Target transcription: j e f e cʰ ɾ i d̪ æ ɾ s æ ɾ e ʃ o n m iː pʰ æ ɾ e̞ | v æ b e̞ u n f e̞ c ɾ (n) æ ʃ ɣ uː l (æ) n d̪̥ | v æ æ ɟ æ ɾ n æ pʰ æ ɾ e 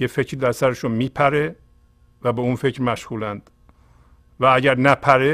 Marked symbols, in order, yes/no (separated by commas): no, yes